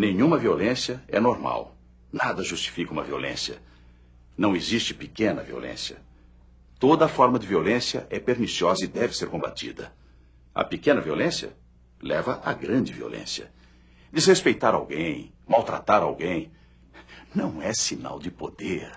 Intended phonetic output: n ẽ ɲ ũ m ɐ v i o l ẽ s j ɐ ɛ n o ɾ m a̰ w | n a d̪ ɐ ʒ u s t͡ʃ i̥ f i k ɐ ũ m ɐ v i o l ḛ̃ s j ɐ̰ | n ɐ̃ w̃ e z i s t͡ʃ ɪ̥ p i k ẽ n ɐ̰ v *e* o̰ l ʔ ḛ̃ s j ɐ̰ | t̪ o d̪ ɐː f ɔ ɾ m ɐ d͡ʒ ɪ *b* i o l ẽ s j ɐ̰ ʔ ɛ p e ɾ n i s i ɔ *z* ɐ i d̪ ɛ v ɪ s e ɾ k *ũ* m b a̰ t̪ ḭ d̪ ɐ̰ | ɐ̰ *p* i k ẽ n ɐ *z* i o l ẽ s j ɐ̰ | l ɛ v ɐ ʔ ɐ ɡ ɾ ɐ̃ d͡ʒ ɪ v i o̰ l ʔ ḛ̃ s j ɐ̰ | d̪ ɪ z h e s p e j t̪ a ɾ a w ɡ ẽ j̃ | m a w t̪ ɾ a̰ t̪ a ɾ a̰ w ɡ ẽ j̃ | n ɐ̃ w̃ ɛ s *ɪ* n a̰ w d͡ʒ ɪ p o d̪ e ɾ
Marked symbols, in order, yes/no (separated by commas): no, no, yes, no, yes, no, no